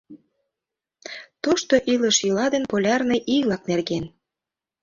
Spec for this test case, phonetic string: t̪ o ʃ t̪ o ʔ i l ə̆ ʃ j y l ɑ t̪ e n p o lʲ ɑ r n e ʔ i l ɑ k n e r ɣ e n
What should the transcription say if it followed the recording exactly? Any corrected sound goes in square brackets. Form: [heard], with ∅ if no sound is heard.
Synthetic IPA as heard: t̪ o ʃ t̪ o ʔ i l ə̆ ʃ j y l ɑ [d̪] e n p o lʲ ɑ r n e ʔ i l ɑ k n e r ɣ e n